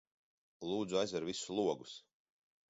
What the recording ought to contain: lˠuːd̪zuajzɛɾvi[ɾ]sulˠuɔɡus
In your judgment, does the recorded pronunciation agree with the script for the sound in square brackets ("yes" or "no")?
no